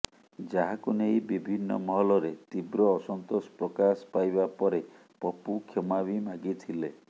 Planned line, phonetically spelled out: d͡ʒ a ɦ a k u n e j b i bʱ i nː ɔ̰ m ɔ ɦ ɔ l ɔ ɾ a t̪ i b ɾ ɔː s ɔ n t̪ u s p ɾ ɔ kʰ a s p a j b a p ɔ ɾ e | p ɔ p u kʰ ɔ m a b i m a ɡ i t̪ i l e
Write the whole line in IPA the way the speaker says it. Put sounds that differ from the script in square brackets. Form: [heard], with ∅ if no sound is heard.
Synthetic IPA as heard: d͡ʒ a ɦ a k u n e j b i bʱ i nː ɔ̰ m ɔ ɦ ɔ l ɔ ɾ [e] t̪ i b ɾ ɔː s ɔ n t̪ [o] s p ɾ ɔ [k] a s p a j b a p ɔ ɾ e | p ɔ p u kʰ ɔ m a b i m a ɡ i [t̪ʰ] i l e